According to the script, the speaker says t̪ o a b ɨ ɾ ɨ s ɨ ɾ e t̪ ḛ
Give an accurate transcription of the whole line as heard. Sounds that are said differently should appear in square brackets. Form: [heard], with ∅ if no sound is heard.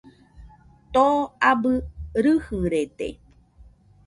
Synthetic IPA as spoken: t̪ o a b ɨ ɾ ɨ [h] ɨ ɾ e t̪ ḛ